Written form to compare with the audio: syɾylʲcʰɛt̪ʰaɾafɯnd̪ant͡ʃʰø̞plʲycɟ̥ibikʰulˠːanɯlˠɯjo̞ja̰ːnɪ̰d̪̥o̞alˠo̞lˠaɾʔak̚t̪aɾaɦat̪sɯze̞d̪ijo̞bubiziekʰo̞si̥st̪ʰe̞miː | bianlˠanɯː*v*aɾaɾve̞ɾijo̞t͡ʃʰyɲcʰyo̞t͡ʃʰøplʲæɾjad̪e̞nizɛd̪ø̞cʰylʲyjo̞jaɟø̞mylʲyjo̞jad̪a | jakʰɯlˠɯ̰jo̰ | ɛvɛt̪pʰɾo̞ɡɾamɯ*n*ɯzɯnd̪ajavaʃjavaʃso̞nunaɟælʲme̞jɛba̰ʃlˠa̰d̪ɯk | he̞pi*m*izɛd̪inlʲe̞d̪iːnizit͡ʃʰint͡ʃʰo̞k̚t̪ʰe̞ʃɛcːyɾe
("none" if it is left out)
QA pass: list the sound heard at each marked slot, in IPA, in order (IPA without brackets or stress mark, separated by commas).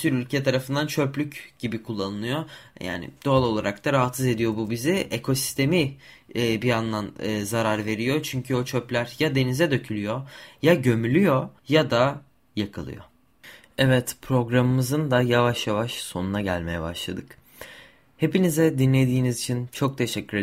z, m, n